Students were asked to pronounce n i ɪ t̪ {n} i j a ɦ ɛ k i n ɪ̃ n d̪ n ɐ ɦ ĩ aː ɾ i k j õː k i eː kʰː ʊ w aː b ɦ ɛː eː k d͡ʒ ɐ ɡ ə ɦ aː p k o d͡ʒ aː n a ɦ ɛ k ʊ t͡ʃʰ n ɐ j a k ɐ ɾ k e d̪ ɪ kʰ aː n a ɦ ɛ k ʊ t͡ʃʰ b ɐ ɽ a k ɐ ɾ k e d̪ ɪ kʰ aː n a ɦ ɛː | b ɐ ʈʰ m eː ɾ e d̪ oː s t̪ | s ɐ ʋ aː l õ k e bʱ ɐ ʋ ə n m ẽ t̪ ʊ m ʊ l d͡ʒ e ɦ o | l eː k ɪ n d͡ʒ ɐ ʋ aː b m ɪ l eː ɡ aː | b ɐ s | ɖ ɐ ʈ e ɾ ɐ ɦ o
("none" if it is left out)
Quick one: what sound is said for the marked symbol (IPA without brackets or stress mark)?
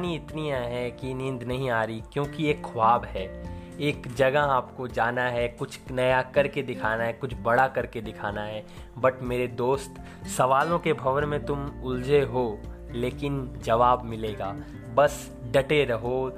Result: n